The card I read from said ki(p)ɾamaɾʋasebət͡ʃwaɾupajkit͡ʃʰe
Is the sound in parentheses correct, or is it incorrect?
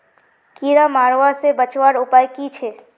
incorrect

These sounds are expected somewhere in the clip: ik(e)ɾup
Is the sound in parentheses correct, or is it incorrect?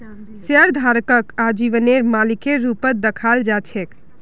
correct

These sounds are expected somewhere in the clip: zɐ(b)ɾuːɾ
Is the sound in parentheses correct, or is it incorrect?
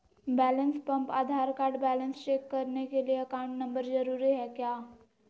incorrect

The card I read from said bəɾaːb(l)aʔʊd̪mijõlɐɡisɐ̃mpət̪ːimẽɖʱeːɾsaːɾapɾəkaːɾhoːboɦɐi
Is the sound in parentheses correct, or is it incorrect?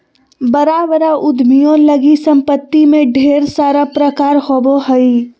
incorrect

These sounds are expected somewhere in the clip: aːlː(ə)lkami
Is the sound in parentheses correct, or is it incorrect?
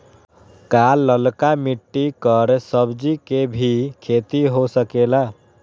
correct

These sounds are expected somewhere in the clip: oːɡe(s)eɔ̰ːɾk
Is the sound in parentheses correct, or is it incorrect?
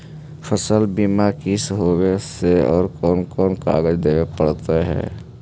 correct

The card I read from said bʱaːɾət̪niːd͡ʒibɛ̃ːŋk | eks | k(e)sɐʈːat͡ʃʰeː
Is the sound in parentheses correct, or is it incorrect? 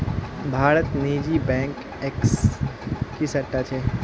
incorrect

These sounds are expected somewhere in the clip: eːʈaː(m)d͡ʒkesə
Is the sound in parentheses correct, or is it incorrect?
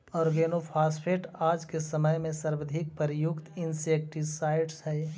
incorrect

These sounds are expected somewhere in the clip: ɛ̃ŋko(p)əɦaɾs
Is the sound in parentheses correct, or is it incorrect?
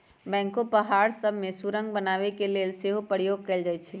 correct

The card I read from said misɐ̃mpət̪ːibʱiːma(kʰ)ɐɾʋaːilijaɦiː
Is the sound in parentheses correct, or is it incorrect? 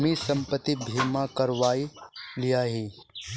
incorrect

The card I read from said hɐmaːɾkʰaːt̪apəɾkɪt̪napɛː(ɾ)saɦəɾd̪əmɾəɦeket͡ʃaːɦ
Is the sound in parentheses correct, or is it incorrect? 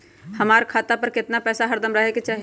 incorrect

